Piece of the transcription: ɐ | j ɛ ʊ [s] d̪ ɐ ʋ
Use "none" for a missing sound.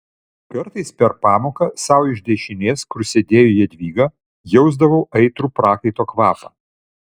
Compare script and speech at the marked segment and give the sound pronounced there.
z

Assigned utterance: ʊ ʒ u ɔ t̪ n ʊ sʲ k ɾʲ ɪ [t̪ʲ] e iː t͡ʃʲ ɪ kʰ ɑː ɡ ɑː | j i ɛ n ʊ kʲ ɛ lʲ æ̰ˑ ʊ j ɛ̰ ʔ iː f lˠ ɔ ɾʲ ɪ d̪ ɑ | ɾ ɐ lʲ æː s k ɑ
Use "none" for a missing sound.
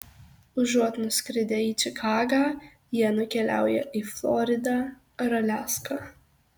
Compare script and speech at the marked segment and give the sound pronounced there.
d̪ʲ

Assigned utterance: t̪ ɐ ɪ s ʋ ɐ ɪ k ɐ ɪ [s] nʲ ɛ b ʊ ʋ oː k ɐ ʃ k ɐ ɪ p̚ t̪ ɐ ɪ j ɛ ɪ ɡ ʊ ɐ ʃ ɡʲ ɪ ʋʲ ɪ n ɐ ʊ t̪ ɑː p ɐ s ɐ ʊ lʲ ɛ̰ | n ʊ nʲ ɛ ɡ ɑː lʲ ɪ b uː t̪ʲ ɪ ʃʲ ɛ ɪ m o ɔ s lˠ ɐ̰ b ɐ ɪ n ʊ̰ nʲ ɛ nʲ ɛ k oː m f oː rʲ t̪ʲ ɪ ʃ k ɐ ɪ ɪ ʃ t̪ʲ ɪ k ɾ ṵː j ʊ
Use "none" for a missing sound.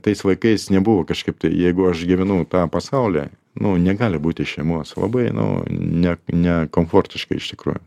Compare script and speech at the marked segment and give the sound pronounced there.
s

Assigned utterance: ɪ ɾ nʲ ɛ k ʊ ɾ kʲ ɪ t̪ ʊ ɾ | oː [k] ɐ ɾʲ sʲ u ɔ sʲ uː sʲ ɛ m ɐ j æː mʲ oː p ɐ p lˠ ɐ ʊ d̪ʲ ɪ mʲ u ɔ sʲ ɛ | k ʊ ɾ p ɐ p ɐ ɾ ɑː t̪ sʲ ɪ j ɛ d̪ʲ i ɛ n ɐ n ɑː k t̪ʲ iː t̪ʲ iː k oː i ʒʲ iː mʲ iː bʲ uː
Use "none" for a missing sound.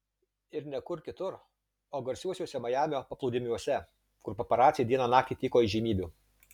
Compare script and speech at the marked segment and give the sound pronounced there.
ɡ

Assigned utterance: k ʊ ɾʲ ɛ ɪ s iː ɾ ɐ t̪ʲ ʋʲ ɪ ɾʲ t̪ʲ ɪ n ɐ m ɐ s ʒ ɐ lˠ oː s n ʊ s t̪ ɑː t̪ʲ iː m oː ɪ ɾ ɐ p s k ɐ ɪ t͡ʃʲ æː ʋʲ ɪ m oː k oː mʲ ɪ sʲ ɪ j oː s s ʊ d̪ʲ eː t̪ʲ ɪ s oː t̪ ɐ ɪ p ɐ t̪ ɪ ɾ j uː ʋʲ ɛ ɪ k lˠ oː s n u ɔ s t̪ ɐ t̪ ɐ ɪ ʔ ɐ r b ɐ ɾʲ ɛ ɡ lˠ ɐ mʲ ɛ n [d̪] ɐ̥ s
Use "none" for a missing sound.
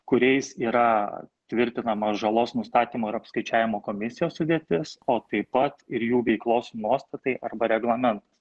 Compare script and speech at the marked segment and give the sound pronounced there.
t̪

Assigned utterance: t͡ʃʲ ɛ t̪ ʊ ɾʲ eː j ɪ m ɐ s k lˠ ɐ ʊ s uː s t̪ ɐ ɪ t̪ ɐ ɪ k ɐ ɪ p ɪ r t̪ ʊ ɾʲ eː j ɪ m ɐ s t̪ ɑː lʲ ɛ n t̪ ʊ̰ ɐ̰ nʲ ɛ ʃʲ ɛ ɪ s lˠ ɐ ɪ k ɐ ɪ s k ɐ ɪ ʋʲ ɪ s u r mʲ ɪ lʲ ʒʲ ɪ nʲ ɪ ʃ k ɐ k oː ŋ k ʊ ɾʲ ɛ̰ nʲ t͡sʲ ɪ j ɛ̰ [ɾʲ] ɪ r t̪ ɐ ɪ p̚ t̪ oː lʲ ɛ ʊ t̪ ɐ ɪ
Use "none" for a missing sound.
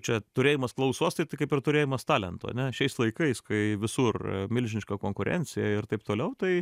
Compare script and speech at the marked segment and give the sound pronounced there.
none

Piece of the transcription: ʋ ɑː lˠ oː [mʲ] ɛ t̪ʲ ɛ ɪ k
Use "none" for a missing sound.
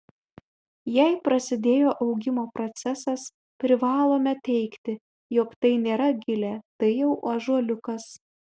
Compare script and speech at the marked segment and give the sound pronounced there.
mʲ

